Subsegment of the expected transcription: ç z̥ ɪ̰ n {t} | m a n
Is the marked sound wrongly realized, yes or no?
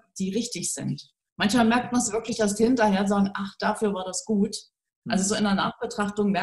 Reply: no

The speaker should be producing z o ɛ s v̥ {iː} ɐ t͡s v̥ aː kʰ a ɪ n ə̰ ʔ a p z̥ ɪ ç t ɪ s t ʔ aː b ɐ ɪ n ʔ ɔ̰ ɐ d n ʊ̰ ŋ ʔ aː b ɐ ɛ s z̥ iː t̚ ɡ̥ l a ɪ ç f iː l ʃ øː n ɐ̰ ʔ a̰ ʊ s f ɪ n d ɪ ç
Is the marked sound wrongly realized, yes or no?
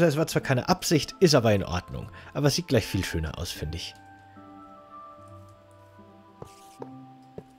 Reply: yes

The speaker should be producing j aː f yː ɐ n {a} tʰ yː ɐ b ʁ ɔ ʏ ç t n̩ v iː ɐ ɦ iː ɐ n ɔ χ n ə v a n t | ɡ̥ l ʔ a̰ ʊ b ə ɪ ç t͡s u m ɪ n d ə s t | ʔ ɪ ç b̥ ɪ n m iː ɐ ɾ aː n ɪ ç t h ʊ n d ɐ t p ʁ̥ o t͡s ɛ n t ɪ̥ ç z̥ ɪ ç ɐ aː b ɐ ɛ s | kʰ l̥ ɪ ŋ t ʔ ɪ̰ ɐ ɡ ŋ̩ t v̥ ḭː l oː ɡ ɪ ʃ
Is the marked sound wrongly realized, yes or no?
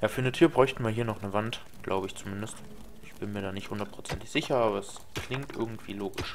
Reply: yes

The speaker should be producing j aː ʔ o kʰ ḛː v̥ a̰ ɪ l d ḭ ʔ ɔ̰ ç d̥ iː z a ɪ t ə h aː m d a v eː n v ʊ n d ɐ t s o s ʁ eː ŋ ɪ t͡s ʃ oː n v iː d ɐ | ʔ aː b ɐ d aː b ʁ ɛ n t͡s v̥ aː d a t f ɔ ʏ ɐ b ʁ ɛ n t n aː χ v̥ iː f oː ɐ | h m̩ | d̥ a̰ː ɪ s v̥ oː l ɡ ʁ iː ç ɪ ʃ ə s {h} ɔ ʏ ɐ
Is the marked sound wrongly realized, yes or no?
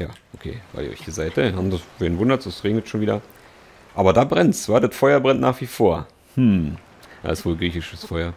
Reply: yes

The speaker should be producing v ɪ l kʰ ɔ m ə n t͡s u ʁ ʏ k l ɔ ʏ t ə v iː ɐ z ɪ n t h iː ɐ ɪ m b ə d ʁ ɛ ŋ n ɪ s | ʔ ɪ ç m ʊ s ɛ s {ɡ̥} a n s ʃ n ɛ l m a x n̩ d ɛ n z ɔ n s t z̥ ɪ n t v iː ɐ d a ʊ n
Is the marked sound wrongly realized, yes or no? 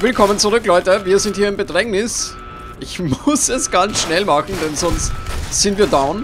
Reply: no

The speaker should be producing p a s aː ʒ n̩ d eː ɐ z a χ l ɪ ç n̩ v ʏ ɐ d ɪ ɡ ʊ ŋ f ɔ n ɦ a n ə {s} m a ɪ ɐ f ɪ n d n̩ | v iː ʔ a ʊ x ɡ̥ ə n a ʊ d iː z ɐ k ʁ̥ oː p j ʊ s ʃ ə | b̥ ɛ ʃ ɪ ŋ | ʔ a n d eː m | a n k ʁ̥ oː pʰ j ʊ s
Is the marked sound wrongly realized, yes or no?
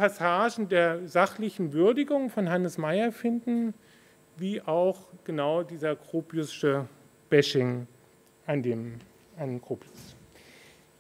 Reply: no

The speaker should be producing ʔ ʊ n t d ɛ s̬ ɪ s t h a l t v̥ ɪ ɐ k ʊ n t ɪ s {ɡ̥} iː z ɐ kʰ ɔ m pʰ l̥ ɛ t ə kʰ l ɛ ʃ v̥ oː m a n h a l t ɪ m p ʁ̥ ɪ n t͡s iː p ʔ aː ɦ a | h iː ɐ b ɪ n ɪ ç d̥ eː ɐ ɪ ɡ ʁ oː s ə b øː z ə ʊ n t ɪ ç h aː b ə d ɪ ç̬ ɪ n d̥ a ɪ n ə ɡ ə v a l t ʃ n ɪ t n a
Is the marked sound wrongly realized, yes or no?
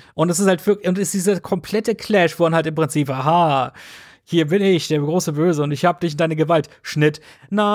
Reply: yes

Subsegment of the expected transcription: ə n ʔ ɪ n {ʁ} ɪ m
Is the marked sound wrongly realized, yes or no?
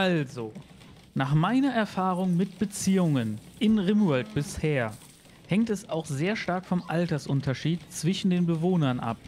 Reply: no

